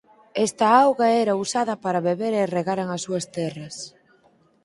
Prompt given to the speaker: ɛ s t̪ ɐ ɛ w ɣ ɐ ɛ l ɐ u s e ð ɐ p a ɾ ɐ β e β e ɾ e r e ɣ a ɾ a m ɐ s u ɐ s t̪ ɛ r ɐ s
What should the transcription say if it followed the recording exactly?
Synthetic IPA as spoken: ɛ s t̪ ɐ a w ɣ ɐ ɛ ɾ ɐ u s a ð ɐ p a ɾ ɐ β e β e ɾ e r e ɣ a ɾ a ŋ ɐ s u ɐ s t̪ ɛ r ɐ s